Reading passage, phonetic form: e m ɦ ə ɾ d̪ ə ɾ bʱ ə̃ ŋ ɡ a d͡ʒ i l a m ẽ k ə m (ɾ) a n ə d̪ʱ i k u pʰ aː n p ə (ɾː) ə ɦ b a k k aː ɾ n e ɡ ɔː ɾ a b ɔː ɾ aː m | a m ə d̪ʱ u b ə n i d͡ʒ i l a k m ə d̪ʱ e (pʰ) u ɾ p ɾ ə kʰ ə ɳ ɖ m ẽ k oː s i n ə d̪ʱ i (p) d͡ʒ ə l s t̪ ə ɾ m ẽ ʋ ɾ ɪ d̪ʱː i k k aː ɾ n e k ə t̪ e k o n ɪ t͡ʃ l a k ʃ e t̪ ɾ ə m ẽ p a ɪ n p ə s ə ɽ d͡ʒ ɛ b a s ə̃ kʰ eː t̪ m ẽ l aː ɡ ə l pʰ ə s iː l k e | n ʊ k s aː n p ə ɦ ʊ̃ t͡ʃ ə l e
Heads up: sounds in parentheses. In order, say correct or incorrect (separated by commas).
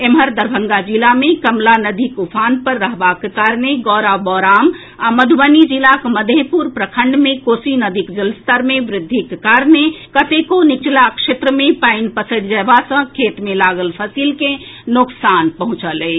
incorrect, correct, incorrect, incorrect